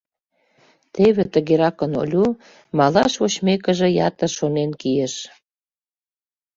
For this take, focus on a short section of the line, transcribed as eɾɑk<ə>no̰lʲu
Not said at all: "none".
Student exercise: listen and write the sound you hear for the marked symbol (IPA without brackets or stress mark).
ə